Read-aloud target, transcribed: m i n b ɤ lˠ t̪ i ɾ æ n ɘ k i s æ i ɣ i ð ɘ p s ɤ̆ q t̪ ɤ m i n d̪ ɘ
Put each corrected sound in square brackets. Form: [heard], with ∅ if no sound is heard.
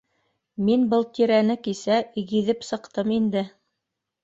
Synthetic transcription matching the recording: m i n b ɤ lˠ t̪ i ɾ æ n ɘ k i s æ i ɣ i ð ɘ p s ɤ̆ q t̪ ɤ m i n d̪ ɘ